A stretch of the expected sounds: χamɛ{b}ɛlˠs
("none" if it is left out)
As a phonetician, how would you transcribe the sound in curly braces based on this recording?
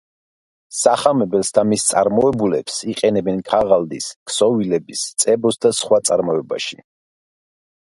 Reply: b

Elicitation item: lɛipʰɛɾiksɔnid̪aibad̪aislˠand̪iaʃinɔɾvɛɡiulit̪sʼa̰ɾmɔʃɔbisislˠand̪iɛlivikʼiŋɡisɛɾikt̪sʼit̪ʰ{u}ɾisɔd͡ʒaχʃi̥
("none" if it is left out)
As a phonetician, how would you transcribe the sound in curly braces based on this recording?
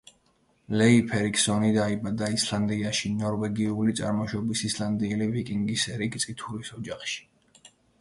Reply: u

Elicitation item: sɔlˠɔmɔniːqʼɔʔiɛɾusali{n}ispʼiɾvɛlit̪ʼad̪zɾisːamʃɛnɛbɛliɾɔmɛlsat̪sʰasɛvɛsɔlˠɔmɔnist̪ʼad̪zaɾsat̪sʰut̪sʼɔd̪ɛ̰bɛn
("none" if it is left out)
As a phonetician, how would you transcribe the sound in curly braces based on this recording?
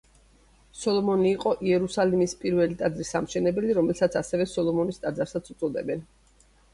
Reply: m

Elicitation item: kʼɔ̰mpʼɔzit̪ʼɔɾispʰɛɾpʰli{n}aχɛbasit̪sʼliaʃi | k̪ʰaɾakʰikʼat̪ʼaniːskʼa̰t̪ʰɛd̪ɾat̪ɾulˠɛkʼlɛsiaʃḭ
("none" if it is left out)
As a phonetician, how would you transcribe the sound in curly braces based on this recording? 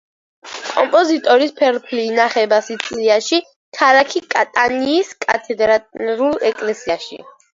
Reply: n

